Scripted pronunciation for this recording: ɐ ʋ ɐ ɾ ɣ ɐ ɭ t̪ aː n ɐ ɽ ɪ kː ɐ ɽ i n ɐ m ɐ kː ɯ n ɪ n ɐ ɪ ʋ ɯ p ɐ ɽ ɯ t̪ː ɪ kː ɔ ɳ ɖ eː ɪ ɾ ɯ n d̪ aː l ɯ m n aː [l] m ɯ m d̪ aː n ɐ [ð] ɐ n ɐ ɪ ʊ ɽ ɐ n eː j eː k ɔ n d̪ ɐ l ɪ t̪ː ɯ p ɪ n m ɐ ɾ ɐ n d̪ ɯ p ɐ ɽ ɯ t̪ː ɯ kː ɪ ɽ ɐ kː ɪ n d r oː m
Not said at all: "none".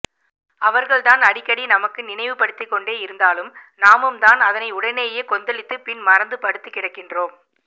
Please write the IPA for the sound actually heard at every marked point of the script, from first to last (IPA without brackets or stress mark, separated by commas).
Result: none, ð